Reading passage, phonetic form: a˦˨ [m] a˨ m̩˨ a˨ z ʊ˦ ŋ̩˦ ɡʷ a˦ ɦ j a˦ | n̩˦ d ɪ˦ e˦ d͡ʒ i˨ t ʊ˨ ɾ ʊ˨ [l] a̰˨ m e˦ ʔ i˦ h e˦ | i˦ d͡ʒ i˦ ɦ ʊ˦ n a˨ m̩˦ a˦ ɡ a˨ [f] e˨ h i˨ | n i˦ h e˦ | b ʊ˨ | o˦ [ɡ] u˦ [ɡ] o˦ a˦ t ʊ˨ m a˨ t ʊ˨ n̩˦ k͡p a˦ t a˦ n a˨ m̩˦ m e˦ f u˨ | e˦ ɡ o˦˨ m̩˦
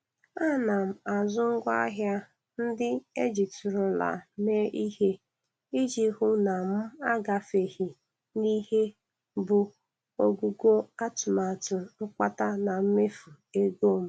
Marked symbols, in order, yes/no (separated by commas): no, yes, yes, yes, yes